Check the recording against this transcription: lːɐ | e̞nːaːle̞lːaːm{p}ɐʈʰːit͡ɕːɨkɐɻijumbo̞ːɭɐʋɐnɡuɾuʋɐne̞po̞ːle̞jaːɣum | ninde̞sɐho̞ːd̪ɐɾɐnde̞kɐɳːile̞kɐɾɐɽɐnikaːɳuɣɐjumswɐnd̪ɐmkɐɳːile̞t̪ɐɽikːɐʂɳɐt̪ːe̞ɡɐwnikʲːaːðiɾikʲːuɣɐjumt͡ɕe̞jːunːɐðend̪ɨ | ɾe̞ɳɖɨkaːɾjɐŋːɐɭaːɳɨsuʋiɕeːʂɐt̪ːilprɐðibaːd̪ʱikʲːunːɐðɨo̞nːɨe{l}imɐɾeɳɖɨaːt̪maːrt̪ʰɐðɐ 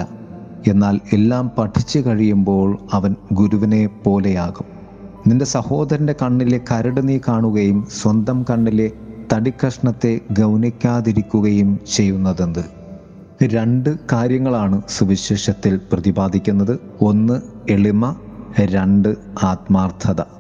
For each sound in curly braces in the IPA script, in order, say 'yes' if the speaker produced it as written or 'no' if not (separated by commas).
yes, no